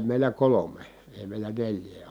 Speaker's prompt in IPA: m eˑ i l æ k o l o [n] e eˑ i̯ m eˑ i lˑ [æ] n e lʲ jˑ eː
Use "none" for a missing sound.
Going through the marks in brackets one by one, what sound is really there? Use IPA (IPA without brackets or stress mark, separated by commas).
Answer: m, æ